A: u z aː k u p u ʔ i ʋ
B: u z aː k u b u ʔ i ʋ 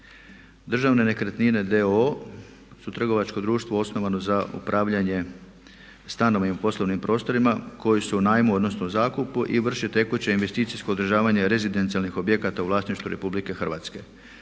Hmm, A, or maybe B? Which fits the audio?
A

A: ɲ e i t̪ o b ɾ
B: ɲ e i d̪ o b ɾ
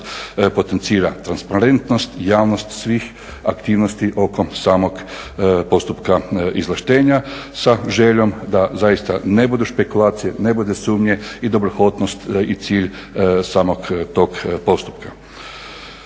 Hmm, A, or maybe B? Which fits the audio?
B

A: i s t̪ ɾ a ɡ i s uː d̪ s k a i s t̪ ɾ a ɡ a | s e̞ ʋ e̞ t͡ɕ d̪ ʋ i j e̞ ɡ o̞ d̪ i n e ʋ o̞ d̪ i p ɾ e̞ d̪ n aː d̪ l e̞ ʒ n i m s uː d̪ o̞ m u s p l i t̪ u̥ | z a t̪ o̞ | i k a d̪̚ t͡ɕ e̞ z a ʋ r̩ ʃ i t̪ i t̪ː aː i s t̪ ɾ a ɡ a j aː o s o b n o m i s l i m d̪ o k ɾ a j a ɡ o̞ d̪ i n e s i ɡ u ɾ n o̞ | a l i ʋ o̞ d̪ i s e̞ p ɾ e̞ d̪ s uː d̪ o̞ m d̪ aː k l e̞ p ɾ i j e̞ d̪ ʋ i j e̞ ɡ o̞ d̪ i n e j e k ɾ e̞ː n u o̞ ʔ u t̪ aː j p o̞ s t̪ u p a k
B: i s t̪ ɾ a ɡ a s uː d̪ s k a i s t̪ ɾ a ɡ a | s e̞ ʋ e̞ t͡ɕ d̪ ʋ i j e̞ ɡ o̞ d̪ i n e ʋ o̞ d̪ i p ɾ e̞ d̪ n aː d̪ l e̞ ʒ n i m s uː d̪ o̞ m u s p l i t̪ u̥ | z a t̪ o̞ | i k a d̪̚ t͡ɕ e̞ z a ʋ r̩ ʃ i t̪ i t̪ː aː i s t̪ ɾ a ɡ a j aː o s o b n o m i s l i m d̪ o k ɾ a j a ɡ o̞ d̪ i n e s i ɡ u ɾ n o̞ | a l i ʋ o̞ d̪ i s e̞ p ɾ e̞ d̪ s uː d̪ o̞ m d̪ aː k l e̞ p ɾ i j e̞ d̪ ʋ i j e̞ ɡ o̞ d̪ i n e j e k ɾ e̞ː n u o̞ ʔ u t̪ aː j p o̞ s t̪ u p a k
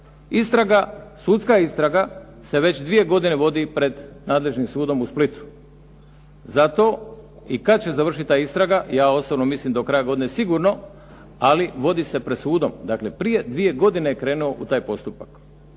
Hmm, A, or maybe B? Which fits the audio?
B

